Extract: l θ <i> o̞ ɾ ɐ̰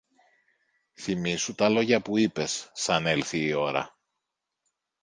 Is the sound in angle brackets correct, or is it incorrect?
incorrect